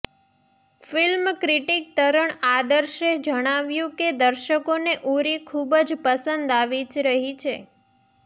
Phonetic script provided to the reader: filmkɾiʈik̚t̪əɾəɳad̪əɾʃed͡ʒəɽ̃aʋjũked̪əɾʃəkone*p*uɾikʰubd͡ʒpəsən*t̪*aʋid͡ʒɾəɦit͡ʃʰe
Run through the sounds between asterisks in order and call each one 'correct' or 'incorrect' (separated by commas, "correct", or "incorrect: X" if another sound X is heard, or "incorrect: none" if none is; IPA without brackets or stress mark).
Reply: incorrect: ʔ, incorrect: d̪